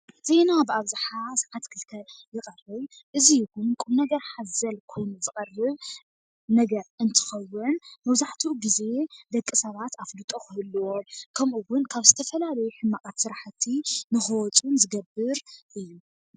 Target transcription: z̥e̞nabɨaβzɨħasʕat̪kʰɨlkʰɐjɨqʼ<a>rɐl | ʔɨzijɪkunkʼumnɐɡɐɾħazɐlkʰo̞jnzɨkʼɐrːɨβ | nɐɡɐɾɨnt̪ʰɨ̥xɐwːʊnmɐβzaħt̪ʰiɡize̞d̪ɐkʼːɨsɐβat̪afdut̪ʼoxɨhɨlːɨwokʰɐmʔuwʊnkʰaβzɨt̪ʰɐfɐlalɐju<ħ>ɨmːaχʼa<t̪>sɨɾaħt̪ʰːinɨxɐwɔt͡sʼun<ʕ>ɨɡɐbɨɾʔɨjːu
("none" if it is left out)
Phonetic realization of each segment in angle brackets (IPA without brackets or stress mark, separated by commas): ɐ, ħ, t̪, z